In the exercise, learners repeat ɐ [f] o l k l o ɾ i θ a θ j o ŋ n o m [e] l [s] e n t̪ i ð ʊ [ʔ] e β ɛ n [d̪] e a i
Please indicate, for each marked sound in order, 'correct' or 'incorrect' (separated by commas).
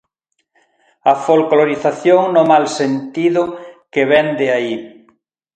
correct, incorrect, correct, incorrect, correct